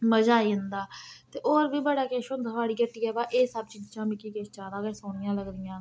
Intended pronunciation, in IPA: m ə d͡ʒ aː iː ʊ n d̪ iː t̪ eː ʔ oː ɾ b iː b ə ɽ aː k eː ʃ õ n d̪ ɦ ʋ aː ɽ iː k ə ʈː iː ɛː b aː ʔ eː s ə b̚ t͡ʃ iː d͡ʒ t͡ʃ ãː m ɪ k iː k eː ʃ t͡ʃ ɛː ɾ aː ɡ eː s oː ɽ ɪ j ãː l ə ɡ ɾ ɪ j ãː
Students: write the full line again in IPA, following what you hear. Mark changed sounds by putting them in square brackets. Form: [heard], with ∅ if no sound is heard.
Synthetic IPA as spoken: m ə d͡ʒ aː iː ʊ n d̪ [aː] t̪ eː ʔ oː ɾ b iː b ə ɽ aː k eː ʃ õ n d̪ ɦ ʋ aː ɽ iː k ə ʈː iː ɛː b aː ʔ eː s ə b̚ t͡ʃ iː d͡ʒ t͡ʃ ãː m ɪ k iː k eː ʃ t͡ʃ [aː] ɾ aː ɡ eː s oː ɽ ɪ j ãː l ə ɡ ɾ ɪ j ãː